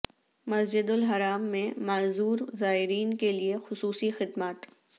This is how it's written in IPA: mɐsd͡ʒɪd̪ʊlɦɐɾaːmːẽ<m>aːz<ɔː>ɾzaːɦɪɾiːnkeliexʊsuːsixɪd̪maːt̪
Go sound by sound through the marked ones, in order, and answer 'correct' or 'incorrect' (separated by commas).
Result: correct, incorrect